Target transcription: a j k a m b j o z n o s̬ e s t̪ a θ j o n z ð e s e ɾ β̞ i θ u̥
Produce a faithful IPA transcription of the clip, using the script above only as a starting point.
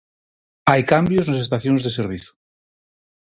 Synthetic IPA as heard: a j k a m b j o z n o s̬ e s t̪ a θ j o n z ð e s e ɾ β̞ i θ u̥

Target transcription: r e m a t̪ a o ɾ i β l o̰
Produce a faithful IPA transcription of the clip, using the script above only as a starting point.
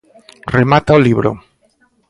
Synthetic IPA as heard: r e m a t̪ a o l i β ɾ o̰

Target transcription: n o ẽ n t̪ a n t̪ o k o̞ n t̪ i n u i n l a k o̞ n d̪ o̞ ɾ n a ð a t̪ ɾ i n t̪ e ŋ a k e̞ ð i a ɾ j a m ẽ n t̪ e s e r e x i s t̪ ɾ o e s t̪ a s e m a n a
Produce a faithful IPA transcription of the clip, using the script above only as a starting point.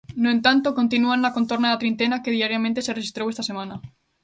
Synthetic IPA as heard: n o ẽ n t̪ a n t̪ o k o̞ n t̪ i n u a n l a k o̞ n t̪ o̞ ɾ n a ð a t̪ ɾ i n t̪ e n a k e̞ ð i a ɾ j a m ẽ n t̪ e s e r e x i s t̪ ɾ o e s t̪ a s e m a n a

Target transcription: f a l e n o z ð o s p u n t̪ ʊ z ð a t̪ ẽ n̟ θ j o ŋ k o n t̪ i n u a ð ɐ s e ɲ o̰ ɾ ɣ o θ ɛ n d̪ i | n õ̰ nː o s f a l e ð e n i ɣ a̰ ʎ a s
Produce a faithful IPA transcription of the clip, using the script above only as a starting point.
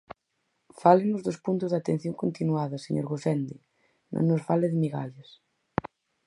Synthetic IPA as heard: f a l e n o z ð o s p u n t̪ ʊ z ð a t̪ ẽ n̟ θ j o ŋ k o n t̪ i n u a ð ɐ s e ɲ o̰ ɾ ɣ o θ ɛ n d̪ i | n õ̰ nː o s f a l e ð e m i ɣ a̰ ʎ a s

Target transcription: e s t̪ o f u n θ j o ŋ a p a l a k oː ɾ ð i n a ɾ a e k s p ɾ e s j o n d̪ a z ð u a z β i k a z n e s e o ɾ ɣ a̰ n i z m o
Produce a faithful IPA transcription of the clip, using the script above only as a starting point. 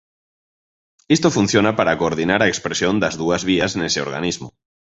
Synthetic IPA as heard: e s t̪ o f u n θ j o n a p a ɾ a k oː ɾ ð i n a ɾ a e k s p ɾ e s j o n d̪ a z ð u a z β i a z n e s e o ɾ ɣ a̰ n i z m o

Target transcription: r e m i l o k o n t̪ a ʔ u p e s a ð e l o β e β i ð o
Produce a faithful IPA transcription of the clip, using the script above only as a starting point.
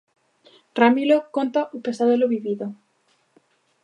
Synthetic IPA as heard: r a m i l o k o n t̪ a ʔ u p e s a ð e l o β i β i ð o

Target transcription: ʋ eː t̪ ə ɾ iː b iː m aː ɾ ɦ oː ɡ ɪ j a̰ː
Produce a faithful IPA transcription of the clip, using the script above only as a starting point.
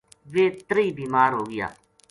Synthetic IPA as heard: ʋ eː t̪ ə ɾ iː b iː m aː ɾ ɦ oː ɡ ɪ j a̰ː

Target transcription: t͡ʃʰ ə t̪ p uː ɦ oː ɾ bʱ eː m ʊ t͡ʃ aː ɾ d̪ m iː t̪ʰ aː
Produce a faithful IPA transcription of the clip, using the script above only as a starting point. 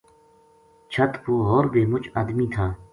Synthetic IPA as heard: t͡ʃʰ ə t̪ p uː ɦ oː ɾ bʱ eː m ʊ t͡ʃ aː d̪ m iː t̪ʰ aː

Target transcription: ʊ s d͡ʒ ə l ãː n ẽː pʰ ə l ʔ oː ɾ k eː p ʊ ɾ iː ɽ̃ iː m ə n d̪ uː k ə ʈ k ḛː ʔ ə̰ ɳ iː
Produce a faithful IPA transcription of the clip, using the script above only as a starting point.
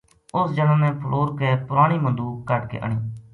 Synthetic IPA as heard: ʊ s d͡ʒ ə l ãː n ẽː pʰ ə l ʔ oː ɾ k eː p ʊ ɾ aː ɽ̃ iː m ə n d̪ uː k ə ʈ k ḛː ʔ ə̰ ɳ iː

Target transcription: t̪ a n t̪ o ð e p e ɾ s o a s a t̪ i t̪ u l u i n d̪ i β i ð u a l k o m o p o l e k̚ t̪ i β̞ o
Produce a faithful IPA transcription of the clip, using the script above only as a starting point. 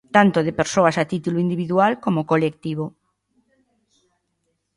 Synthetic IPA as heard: t̪ a n t̪ o ð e p e ɾ s o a s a t̪ i t̪ u l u i n d̪ i β i ð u a l k o m o k o l e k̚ t̪ i β̞ o

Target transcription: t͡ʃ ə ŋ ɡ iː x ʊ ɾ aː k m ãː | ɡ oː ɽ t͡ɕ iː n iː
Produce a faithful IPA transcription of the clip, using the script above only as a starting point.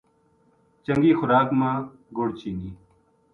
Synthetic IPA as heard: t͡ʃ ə ŋ ɡ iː x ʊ ɾ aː k m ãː | ɡ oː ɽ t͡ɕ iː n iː

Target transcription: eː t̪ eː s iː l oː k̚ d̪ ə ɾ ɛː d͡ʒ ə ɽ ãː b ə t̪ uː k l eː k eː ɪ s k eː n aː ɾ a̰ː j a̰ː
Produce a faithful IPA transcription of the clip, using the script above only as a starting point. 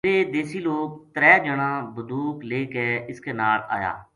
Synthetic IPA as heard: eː d̪ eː s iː l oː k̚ t̪ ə ɾ ɛː d͡ʒ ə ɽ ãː b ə d̪ uː k l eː k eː ɪ s k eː n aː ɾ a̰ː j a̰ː

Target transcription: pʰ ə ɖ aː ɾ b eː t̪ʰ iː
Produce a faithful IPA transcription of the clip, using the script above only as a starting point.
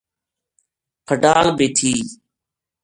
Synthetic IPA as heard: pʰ ə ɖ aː l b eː t̪ʰ iː

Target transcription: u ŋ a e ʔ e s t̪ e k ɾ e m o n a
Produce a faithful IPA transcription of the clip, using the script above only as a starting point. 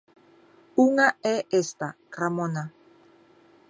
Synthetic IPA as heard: u ŋ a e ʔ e s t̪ a k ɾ a m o n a

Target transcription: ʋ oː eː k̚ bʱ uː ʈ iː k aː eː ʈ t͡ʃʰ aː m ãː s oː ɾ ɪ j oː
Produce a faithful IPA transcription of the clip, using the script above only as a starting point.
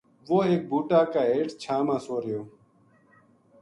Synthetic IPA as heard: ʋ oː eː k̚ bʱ uː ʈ aː k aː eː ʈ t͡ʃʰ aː m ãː s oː ɾ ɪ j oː

